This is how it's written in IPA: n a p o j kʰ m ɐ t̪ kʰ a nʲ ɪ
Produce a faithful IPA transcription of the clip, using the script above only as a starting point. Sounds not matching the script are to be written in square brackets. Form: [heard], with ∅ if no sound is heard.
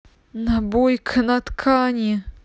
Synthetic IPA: n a [b] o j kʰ [n] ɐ t̪ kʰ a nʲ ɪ